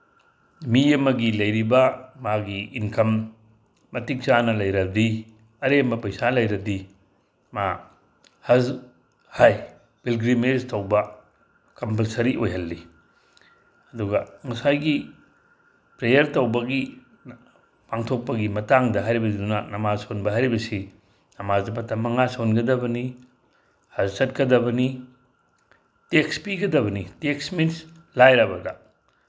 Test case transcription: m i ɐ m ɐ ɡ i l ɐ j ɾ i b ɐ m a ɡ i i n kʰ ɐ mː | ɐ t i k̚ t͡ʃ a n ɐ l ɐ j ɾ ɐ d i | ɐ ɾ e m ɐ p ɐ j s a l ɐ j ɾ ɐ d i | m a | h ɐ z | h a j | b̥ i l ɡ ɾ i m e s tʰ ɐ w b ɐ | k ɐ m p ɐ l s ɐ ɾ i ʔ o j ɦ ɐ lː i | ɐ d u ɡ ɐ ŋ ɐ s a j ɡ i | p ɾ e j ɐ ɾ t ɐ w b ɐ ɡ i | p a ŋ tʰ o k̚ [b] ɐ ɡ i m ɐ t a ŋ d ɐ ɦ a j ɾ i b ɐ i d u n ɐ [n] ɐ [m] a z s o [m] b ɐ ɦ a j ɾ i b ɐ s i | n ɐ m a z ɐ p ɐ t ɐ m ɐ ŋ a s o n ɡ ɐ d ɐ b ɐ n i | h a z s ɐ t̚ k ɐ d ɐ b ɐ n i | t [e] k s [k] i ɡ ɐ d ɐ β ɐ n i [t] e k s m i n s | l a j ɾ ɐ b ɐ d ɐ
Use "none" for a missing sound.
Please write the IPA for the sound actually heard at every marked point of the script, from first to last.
p, n, m, n, e, p, t

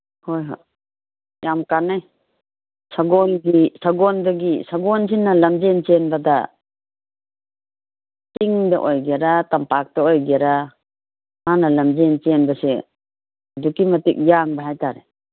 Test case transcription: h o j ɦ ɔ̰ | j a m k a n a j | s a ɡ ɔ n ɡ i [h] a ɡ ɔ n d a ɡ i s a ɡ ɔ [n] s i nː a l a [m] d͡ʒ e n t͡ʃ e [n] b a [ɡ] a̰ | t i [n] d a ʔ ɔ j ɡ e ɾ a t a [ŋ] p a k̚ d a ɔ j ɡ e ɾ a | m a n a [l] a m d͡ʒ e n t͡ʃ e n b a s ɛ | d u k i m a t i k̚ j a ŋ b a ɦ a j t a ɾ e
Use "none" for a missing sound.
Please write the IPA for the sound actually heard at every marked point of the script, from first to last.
s, n, m, n, d, ŋ, m, l

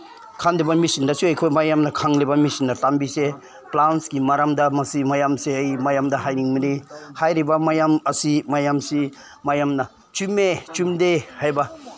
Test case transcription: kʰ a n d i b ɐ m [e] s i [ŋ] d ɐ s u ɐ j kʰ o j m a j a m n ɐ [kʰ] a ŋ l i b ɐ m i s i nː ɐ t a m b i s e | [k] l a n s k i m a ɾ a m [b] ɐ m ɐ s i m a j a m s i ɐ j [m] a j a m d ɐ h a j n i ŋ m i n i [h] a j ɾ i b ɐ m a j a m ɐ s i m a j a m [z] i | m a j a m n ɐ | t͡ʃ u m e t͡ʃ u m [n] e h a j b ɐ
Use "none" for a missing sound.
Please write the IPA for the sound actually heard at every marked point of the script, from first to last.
i, n, kʰ, p, d, m, h, s, d

